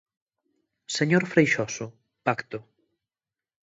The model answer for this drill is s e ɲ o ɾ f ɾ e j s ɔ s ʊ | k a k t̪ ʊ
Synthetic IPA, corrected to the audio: s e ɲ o ɾ f ɾ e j ʃ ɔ s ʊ | p a k t̪ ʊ